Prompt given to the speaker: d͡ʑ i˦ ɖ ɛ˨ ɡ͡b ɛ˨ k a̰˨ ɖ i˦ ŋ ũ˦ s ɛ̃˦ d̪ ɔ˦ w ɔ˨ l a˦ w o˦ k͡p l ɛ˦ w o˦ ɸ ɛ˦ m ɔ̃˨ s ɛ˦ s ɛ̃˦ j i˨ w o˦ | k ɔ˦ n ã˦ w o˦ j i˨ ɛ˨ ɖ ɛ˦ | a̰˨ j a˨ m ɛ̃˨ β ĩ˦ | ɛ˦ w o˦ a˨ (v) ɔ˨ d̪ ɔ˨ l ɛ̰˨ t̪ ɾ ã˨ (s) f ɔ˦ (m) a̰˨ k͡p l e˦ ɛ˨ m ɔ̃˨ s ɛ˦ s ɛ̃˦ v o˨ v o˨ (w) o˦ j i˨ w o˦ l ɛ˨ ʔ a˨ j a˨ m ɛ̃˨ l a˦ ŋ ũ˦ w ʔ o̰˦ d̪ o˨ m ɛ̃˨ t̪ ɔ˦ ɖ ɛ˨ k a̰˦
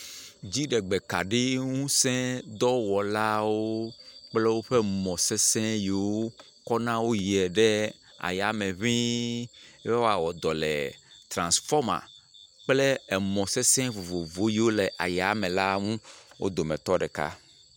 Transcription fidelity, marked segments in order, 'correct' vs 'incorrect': incorrect: w, correct, correct, incorrect: v

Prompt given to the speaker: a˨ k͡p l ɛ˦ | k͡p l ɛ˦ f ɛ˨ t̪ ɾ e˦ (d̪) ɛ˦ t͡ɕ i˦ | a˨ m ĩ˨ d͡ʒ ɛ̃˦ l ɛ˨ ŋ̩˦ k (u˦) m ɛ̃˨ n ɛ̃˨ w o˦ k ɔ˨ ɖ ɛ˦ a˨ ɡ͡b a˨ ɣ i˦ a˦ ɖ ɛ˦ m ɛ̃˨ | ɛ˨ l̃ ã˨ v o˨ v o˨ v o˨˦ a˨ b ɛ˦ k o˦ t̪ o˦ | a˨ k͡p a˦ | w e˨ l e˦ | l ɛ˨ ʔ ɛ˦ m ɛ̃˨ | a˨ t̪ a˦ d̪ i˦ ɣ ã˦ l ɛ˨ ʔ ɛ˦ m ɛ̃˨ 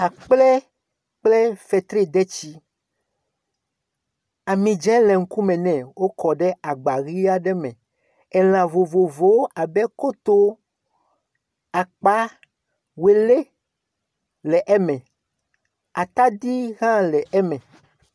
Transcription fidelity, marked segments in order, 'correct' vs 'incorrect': correct, correct

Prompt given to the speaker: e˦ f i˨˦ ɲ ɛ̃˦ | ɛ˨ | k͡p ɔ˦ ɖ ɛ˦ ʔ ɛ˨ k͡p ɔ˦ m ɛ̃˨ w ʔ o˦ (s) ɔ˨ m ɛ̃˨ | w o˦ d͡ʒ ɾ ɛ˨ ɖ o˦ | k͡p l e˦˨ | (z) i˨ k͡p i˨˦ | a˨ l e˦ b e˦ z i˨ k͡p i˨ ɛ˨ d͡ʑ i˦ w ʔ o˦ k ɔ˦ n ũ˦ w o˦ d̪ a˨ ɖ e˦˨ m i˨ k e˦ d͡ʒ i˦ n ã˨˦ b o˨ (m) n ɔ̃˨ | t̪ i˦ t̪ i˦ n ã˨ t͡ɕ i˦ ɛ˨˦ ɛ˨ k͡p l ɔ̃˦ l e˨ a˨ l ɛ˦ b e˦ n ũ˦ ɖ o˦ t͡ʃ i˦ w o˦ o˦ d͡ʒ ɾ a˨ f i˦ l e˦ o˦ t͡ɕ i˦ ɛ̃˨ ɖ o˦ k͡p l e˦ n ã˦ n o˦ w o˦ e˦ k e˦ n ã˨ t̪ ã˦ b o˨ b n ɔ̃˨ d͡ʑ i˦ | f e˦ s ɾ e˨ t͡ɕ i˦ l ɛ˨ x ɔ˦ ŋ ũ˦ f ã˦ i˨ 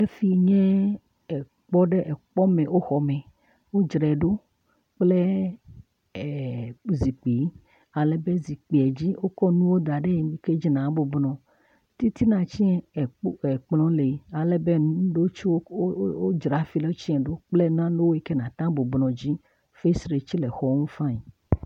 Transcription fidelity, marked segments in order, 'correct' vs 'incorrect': incorrect: x, correct, incorrect: b

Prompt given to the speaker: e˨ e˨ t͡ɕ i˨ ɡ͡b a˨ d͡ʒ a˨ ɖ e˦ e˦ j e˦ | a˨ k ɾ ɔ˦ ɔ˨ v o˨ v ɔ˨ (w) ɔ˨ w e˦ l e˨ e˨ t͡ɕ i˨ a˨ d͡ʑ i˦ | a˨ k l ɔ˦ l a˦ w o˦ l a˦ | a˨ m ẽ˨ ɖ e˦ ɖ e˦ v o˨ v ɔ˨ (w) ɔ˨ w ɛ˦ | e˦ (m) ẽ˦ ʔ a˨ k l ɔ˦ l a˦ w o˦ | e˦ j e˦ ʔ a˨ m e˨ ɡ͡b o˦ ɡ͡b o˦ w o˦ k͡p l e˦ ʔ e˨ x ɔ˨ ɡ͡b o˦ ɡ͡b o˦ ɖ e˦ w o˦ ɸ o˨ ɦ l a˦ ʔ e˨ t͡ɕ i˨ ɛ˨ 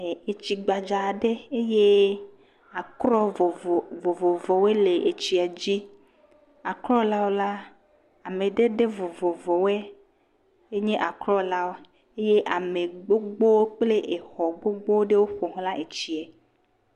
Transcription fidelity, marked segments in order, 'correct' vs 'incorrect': incorrect: v, incorrect: v, incorrect: ɲ

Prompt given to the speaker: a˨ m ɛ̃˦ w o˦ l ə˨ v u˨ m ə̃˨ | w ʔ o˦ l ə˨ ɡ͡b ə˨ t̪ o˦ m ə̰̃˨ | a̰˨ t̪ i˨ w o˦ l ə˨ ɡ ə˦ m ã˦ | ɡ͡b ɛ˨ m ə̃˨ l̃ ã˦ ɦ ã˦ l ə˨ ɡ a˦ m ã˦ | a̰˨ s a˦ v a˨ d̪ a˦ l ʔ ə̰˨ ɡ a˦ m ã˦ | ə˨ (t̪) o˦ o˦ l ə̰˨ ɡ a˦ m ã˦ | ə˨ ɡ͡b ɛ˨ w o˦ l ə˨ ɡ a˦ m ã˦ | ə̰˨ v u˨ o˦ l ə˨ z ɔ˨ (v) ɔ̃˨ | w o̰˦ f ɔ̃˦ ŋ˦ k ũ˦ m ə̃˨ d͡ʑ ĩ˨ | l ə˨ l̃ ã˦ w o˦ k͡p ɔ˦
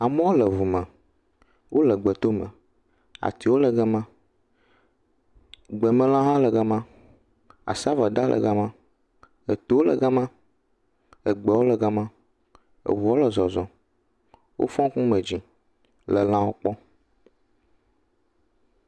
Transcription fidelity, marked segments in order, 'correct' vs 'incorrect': correct, incorrect: z

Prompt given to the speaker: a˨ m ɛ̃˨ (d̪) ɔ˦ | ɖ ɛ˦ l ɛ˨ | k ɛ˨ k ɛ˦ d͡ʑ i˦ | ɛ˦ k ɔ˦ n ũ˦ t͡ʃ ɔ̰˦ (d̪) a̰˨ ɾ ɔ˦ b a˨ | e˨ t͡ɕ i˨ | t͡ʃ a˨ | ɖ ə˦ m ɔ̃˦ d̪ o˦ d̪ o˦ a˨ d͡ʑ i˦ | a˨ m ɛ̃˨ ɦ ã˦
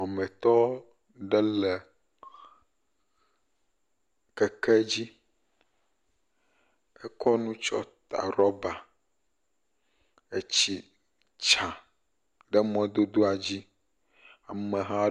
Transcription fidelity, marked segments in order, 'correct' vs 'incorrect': incorrect: t̪, incorrect: t̪

